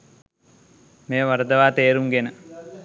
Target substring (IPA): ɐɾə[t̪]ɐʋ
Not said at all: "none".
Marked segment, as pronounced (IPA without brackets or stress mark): d̪